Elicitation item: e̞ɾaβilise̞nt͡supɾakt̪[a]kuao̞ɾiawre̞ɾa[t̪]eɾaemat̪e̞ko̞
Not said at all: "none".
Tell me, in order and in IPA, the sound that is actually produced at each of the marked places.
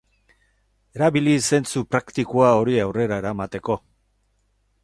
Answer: i, none

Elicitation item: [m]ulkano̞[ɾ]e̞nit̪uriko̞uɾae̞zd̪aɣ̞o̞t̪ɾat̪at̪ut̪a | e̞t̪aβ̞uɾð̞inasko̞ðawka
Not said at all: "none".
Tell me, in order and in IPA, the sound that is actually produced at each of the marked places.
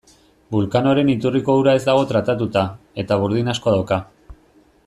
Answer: b, ɾ

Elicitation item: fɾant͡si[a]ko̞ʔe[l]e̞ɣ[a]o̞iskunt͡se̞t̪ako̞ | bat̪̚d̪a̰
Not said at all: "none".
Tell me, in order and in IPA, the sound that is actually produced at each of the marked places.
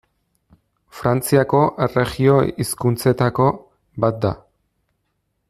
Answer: a, r, i

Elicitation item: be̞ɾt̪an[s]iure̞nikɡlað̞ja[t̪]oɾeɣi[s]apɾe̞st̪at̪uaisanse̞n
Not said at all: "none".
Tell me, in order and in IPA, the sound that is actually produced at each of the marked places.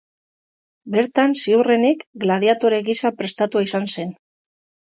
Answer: s, t̪, s

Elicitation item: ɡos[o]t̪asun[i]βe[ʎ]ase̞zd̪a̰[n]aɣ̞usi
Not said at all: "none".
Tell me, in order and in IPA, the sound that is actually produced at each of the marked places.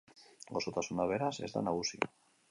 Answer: o, a, ɾ, n

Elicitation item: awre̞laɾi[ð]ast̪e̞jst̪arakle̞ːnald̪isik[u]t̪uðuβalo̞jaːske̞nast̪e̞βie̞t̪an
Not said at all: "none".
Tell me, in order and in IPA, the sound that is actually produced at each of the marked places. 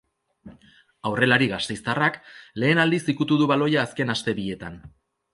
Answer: ɣ, u

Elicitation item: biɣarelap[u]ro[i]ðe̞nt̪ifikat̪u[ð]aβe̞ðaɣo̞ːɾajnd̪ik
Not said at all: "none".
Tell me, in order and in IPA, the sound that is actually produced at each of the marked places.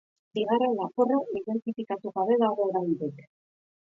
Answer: o, i, ɣ

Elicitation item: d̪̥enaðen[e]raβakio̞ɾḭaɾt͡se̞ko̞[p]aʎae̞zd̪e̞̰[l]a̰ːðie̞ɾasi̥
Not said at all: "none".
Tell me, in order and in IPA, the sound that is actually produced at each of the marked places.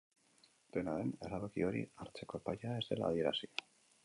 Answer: e, p, l

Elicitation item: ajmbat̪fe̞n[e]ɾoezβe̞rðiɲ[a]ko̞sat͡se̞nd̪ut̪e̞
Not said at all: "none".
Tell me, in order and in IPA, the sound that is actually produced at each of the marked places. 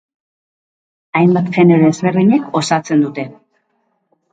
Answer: e, e

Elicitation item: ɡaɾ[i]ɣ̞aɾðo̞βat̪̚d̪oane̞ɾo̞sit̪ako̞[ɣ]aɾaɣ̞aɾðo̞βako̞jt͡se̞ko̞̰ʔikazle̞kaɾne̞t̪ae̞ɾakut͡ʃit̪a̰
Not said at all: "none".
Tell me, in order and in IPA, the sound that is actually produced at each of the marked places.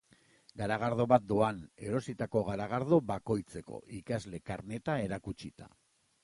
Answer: a, ɣ

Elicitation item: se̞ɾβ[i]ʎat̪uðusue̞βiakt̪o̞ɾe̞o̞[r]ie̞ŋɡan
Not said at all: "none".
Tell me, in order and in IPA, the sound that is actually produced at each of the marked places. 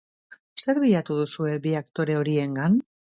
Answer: i, ɾ

